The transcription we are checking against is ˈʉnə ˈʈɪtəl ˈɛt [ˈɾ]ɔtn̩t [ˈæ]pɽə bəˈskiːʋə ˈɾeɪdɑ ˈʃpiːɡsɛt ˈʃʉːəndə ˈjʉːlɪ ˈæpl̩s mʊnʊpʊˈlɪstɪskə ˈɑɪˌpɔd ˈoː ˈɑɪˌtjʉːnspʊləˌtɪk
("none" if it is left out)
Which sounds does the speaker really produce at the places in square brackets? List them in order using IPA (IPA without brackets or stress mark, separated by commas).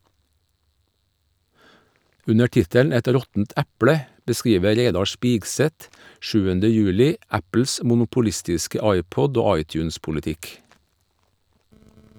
ɾ, æ